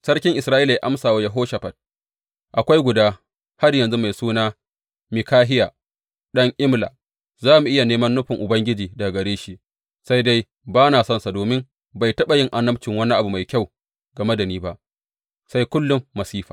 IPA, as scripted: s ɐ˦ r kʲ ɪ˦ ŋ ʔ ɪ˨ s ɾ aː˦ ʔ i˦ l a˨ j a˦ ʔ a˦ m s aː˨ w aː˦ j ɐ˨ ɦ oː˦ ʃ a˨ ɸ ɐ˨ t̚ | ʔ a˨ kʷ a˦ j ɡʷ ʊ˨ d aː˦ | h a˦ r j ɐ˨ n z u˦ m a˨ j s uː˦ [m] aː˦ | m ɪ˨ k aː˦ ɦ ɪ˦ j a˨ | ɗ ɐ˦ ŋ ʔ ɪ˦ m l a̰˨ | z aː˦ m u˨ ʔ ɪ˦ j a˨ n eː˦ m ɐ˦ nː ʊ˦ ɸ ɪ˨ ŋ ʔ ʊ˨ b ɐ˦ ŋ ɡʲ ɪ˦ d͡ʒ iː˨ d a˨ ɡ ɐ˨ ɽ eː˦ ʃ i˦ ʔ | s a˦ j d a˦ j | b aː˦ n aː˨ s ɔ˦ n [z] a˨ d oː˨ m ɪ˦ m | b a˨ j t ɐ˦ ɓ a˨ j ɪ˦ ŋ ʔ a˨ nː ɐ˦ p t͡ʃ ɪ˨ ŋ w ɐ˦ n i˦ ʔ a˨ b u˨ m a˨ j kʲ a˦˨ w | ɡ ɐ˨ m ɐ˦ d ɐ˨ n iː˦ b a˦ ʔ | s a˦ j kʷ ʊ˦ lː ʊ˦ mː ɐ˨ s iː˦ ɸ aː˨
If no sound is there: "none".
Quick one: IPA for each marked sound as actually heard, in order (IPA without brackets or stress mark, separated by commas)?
n, s